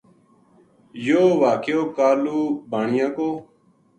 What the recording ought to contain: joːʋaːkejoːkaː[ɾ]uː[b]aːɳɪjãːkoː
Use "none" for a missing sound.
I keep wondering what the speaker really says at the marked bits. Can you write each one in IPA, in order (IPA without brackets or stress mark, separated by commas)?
l, b